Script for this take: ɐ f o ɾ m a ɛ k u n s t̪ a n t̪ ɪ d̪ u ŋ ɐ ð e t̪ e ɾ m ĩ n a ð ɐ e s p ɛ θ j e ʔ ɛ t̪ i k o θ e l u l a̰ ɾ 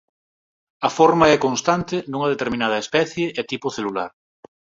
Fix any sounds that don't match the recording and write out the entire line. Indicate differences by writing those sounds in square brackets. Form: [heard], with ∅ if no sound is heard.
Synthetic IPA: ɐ f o ɾ m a ɛ k [o] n s t̪ a n t̪ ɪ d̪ u ŋ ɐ ð e t̪ e ɾ m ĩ n a ð ɐ e s p ɛ θ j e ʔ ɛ t̪ i [p] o θ e l u l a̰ ɾ